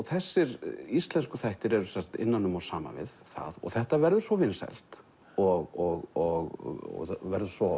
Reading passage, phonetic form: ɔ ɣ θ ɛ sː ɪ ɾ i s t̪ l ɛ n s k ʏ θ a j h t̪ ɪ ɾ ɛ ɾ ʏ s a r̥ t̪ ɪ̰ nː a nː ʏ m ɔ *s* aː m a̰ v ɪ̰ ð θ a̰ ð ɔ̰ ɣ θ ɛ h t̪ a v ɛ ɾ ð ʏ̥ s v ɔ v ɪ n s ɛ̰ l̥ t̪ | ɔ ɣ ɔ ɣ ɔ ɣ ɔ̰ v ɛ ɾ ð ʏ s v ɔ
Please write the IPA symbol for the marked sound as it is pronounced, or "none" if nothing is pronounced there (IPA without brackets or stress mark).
s